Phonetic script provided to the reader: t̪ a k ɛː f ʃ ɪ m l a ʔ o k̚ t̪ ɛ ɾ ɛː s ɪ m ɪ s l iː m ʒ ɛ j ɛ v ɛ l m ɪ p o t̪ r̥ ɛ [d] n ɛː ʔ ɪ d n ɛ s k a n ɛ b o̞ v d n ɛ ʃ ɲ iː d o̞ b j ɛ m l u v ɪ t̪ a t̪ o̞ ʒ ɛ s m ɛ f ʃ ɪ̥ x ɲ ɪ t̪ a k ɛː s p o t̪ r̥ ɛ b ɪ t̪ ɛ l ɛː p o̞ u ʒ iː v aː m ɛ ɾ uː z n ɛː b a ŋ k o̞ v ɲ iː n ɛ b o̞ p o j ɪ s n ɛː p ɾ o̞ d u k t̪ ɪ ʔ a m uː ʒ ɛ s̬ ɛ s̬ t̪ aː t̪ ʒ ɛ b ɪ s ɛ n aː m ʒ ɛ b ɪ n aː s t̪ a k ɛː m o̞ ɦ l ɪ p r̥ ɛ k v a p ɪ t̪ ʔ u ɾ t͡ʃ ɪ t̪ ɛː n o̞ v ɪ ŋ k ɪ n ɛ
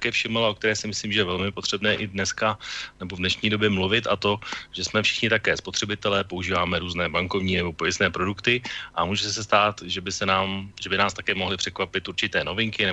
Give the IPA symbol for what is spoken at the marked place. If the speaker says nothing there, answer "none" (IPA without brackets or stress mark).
b